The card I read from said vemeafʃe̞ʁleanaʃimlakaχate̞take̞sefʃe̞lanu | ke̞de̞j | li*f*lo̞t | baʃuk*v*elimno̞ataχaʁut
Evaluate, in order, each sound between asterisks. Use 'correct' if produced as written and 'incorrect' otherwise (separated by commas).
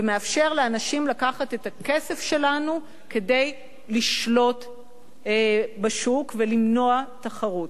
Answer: incorrect, correct